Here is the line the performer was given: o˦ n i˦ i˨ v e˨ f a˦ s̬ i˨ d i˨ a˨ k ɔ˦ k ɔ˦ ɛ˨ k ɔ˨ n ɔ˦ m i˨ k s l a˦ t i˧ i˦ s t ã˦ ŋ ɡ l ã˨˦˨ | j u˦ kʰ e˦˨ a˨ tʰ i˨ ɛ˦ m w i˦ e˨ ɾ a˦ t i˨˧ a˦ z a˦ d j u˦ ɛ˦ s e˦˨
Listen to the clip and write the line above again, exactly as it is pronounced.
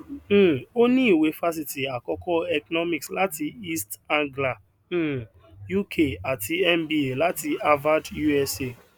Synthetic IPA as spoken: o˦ n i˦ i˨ w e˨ f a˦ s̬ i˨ t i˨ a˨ k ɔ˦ k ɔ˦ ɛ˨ k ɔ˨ n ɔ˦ m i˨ k s l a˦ t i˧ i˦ s t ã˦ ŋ ɡ l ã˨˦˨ | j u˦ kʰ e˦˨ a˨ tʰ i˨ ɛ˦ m b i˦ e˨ l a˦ t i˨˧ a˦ v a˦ d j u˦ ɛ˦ s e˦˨

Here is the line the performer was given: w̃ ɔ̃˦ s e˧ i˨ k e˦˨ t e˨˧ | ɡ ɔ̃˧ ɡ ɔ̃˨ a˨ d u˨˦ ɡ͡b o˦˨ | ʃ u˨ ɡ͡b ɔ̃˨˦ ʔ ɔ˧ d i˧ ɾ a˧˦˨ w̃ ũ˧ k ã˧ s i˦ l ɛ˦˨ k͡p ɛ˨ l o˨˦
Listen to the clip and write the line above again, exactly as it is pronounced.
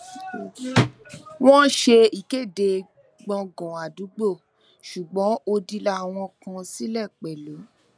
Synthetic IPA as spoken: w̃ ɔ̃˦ ʃ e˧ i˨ k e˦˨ d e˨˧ | ɡ͡b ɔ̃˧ ɡ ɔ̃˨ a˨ d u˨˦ ɡ͡b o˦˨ | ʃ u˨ ɡ͡b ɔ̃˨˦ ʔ o˧ d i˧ l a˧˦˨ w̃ ɔ̃˧ k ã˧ s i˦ l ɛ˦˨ k͡p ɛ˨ l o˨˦

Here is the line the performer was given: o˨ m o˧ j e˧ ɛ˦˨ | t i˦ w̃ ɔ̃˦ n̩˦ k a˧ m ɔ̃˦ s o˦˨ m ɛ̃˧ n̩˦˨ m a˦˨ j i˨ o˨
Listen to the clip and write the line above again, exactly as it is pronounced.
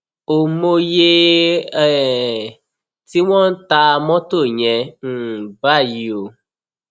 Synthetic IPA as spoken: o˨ m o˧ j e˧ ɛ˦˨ | t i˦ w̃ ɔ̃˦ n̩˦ t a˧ m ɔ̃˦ t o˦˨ ɲ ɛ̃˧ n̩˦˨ b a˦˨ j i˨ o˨

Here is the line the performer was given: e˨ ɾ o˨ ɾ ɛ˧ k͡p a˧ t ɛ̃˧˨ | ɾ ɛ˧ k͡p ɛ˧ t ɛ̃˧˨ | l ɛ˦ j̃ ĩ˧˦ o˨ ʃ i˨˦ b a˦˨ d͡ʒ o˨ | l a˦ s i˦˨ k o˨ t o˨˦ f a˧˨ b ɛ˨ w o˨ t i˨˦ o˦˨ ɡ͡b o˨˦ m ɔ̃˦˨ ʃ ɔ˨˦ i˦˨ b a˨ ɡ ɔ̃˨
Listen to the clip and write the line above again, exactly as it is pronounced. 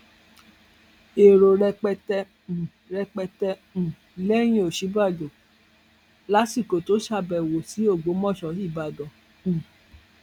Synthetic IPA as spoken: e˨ ɾ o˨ ɾ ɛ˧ k͡p ɛ˧ t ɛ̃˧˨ | ɾ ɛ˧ k͡p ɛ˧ t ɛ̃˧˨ | l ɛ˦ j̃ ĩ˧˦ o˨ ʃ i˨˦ b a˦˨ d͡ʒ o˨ | l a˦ s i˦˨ k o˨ t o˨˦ ʃ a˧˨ b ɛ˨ w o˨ s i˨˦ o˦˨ ɡ͡b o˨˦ m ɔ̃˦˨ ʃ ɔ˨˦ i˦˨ b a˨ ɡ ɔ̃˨

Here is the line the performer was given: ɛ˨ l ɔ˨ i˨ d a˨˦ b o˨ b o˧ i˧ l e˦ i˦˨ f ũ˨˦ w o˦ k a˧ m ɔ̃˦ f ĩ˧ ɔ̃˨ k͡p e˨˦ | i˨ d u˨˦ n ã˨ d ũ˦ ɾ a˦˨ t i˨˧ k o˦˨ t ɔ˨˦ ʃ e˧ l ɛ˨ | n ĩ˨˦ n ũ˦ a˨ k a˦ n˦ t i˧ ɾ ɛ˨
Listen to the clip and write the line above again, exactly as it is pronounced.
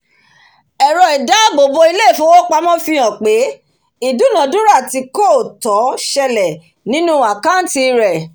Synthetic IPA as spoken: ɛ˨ ɾ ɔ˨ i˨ d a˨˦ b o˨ b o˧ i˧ l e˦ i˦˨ f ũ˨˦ w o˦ k͡p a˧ m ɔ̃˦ f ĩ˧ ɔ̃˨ k͡p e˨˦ | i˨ d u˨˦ n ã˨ d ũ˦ ɾ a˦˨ t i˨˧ k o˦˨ t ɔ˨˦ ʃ ɛ˧ l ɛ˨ | n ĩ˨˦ n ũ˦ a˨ k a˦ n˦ t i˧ ɾ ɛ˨

